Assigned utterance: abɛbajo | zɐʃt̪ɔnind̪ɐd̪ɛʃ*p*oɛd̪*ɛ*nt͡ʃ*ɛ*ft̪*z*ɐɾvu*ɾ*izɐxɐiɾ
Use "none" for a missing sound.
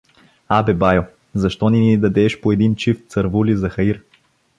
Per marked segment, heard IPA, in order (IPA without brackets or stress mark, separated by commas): p, i, i, s, l